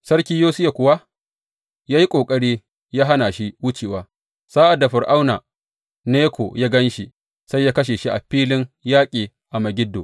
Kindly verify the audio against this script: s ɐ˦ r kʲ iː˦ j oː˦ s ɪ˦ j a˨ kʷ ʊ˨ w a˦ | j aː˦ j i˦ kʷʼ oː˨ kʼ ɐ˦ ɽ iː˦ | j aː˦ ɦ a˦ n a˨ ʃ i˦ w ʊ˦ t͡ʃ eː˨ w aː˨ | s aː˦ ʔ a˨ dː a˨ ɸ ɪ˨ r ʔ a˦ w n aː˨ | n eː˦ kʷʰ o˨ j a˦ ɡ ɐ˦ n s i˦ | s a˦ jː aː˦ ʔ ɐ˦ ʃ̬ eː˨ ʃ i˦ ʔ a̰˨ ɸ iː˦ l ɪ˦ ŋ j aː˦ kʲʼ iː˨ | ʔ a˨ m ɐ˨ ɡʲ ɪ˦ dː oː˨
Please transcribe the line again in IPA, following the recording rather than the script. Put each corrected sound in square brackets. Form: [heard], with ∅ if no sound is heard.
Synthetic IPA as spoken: s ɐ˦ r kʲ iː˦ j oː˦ s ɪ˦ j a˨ kʷ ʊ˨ w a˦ | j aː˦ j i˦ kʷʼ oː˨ kʼ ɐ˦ ɽ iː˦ | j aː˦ ɦ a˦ n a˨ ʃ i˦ w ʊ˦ t͡ʃ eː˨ w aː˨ | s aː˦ ʔ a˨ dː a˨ ɸ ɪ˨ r ʔ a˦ w n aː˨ | n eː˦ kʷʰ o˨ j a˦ ɡ ɐ˦ n [ʃ] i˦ | s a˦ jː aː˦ [k] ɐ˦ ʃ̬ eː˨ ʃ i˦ ʔ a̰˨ ɸ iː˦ l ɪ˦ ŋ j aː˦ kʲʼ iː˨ | ʔ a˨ m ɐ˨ ɡʲ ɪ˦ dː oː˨